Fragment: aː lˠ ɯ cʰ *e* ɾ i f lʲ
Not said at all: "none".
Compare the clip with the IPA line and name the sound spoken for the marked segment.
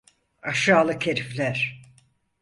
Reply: e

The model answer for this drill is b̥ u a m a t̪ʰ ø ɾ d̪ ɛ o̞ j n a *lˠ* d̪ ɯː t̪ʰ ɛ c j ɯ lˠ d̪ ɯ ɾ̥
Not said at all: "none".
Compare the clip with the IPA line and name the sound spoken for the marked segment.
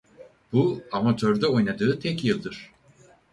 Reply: none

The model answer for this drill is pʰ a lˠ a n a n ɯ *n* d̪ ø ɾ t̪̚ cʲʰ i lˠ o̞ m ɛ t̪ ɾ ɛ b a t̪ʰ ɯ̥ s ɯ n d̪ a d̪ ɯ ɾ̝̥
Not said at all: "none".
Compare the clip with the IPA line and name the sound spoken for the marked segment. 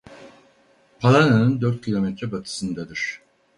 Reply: n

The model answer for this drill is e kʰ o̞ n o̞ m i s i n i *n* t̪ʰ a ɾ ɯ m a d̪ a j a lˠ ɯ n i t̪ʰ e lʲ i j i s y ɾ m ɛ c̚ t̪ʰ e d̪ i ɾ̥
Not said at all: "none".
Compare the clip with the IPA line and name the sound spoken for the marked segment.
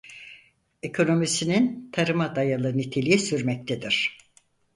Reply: n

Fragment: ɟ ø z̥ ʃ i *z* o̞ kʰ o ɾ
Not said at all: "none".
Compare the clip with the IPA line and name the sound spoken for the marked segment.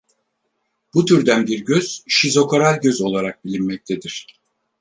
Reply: z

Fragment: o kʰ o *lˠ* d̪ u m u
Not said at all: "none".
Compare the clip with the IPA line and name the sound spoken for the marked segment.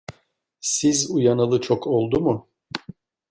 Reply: lˠ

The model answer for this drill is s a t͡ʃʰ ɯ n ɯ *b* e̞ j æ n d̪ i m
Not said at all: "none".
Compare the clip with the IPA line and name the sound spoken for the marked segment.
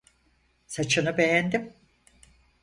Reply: b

